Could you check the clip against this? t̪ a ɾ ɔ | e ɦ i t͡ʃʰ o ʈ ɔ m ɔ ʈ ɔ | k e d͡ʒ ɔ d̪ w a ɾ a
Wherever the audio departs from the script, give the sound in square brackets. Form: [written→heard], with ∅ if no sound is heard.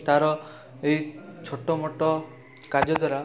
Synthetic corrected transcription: t̪ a ɾ ɔ | e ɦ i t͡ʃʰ o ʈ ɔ m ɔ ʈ ɔ | k [e→a] d͡ʒ ɔ d̪ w a ɾ a